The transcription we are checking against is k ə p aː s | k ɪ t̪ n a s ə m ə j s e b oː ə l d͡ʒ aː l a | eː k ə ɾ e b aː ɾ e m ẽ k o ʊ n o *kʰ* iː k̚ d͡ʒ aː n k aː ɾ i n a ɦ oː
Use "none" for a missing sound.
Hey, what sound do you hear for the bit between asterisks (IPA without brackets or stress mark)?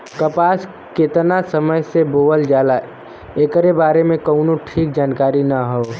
ʈʰ